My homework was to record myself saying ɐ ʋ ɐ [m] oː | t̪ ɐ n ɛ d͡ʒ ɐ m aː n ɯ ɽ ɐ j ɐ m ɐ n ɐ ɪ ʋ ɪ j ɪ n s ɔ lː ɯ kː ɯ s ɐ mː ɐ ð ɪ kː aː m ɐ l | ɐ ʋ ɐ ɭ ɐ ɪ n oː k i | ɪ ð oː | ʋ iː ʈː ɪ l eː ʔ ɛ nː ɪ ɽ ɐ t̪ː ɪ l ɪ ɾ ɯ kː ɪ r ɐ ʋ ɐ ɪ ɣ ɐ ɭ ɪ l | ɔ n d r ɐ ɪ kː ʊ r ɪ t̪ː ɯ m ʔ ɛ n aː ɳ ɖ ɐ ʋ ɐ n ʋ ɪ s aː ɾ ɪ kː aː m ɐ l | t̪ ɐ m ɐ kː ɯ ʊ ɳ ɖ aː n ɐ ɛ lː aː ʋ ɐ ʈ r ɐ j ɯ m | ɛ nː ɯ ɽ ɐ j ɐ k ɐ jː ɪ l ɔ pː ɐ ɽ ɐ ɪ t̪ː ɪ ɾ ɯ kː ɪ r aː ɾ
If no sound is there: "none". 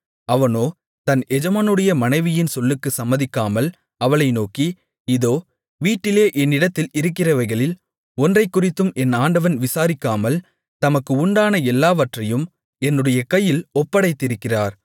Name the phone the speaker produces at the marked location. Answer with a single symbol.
n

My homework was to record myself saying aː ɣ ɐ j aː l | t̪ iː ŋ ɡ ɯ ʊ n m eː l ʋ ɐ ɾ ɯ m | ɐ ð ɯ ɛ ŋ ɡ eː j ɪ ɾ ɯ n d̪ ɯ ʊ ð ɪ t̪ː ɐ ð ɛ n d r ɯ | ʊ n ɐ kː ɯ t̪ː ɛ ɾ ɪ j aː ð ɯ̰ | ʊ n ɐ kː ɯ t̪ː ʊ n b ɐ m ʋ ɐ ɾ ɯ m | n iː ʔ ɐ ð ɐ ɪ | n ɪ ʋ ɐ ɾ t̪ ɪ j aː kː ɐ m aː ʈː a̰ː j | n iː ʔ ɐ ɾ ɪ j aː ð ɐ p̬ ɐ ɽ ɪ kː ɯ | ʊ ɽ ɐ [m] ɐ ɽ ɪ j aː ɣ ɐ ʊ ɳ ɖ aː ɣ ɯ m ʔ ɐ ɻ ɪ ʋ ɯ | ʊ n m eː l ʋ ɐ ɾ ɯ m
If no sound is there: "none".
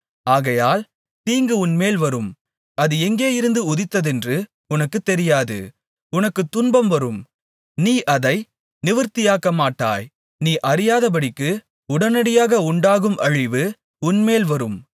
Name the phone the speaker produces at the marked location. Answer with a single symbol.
n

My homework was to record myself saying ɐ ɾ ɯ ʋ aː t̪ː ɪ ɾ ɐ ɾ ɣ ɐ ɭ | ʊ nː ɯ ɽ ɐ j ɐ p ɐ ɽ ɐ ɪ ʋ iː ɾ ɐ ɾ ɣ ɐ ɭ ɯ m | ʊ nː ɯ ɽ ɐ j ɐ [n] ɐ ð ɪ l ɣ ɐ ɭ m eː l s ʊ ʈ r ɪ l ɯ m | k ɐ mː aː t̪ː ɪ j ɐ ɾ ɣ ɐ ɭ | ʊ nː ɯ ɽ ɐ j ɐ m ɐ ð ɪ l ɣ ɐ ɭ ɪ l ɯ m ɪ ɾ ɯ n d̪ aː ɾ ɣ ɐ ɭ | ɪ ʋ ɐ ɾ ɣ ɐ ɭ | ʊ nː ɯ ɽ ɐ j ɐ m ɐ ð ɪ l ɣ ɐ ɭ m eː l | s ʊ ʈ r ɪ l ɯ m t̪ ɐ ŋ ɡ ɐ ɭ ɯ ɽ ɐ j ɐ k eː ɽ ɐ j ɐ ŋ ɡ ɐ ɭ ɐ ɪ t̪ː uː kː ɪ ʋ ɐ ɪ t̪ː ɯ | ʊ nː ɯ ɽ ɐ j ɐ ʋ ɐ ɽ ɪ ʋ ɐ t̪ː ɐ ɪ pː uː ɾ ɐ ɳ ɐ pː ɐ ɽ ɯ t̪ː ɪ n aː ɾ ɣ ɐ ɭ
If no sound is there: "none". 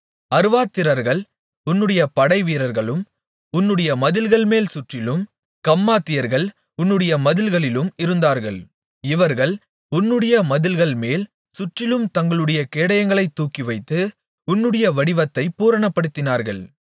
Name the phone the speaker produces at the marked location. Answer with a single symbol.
m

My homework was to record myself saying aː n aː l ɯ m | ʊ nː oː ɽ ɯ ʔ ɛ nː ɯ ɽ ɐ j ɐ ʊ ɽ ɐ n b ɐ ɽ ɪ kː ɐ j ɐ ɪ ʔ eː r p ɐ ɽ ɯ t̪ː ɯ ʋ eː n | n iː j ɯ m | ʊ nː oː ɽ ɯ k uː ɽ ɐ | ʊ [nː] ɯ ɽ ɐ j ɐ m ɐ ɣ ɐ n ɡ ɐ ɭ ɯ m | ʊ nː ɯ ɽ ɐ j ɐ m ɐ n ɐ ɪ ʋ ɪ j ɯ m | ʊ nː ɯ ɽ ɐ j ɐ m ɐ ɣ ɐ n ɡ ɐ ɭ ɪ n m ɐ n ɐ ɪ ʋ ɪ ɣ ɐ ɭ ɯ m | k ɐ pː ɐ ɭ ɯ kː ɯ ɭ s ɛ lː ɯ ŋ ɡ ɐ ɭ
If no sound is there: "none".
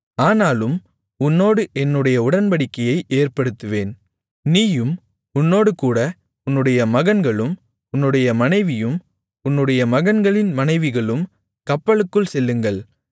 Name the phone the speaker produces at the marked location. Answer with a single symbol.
nː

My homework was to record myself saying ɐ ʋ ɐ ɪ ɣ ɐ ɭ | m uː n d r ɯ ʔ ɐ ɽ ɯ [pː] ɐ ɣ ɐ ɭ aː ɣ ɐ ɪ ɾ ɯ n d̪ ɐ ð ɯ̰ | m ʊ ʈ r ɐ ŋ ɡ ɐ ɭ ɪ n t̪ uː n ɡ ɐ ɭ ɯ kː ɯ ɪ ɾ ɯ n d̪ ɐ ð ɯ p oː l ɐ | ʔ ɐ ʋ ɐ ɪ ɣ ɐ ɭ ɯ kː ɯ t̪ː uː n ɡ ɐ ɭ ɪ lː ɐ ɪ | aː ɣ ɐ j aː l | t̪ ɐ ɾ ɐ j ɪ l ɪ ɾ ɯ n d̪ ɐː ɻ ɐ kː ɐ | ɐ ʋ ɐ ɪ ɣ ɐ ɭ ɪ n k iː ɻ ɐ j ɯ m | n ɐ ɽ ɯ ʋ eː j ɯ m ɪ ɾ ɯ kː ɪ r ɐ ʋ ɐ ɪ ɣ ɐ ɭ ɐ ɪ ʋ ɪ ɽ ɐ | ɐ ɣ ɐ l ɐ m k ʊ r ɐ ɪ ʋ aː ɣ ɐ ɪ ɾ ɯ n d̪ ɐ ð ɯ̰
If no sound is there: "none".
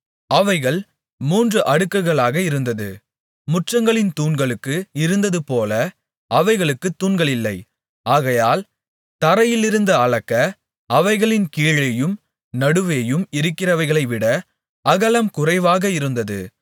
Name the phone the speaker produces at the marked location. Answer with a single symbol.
kː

